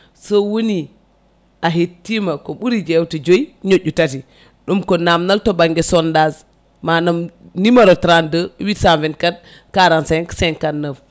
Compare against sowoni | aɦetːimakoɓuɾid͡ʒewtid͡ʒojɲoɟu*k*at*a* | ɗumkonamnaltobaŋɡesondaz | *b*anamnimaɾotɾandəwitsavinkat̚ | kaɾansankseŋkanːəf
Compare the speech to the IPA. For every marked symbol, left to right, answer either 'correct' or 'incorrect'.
incorrect: t, incorrect: i, incorrect: m

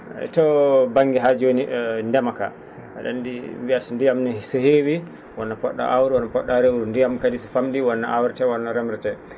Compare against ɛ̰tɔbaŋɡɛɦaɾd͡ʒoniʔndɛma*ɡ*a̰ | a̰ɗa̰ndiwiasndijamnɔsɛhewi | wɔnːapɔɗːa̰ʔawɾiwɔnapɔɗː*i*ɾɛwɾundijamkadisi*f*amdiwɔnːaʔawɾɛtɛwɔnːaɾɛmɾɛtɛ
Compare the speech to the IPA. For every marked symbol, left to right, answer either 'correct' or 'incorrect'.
incorrect: k, incorrect: a, correct

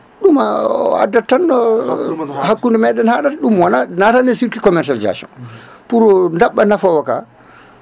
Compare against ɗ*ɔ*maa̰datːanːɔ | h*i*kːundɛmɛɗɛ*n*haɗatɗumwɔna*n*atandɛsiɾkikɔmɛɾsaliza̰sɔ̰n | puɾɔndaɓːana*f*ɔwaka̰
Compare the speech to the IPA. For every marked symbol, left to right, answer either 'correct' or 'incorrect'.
incorrect: u, incorrect: a, correct, correct, correct

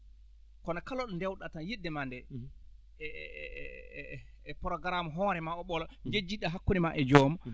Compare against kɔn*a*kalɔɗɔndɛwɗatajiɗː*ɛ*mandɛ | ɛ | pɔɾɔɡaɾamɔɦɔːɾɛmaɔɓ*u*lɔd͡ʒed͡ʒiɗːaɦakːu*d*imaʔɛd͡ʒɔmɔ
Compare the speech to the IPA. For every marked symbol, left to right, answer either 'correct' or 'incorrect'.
correct, correct, incorrect: ɔ, incorrect: n

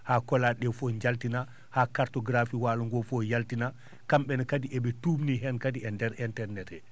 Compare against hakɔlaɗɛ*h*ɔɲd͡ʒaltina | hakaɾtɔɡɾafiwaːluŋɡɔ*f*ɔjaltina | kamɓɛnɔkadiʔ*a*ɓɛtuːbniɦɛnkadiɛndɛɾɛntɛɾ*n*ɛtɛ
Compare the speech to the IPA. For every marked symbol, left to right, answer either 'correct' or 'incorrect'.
incorrect: f, correct, incorrect: ɛ, correct

